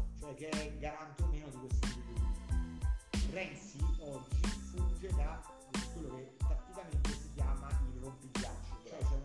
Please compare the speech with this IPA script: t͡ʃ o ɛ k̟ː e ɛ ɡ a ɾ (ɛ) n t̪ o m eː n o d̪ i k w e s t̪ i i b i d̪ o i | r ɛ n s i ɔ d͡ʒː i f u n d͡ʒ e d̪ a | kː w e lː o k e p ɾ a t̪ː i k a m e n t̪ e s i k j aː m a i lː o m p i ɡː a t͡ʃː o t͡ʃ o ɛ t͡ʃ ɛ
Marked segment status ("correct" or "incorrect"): incorrect